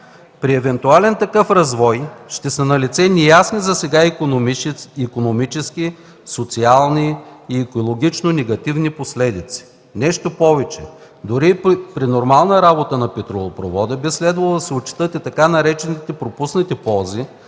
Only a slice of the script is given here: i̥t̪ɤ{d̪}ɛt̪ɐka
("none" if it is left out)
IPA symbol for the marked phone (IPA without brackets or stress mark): t̪